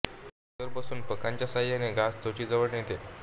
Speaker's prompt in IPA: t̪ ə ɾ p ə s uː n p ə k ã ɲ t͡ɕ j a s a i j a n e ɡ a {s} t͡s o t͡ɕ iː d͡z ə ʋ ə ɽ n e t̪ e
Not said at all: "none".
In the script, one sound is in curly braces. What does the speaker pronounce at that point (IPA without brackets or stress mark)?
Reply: s